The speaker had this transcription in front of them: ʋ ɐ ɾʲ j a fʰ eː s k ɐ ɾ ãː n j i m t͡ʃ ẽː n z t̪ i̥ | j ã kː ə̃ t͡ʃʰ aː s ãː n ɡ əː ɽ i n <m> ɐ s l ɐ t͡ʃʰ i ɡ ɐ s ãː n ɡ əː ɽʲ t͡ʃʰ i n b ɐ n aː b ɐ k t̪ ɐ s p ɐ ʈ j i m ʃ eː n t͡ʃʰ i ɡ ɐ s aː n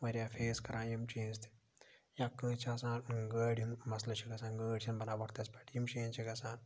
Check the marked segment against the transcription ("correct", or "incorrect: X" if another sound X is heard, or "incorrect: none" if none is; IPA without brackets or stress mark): correct